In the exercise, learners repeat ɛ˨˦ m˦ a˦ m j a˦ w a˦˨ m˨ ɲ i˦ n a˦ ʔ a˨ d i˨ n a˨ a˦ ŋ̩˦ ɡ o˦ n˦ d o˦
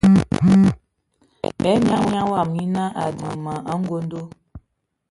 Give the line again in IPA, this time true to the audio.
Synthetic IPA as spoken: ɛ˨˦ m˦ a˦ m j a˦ w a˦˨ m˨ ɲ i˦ n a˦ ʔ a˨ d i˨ m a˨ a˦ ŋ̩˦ ɡ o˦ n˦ d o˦